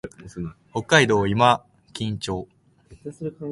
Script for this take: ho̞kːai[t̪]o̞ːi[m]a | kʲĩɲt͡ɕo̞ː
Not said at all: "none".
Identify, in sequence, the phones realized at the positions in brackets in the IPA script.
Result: d̪, m

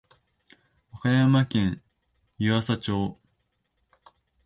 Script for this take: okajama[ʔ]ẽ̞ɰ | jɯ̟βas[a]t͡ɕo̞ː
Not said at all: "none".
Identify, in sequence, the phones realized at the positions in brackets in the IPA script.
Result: k, a

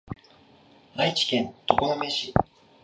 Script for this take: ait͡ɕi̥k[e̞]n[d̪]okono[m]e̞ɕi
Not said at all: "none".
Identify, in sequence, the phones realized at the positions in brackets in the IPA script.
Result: ẽ̞, t̪, m

